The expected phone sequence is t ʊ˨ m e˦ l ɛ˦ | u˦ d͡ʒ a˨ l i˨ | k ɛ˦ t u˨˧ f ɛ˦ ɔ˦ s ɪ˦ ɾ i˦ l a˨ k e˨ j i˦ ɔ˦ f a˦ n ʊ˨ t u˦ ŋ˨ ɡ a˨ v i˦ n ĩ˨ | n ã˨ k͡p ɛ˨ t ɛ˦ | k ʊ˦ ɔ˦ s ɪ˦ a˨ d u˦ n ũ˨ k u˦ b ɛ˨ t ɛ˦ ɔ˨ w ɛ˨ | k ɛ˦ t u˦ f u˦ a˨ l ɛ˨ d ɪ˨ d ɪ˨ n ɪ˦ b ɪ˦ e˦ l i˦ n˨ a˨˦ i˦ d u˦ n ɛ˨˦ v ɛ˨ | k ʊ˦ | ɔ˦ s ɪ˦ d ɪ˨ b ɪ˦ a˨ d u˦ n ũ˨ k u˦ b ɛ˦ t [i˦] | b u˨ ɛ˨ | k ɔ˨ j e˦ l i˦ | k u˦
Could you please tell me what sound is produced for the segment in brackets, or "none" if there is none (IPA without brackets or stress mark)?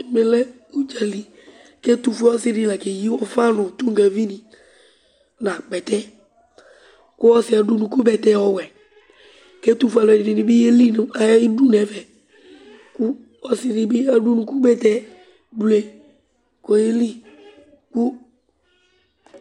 ɛ˦